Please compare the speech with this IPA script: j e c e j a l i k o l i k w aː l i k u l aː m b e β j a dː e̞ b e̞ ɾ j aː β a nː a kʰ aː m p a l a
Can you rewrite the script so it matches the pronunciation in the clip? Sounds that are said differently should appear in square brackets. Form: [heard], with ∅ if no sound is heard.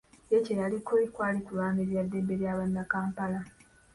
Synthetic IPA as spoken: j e c e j a l i k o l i k w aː l i k u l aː m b e β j a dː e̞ b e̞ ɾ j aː β a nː a [k] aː m p a l a